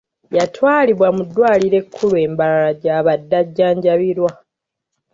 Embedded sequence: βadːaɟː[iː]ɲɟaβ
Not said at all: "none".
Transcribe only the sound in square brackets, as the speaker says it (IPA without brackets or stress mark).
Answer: aː